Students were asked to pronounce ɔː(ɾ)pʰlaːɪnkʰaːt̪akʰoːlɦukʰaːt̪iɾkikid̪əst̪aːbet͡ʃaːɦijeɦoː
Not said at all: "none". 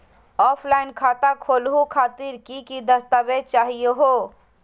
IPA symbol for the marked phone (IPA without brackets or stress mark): none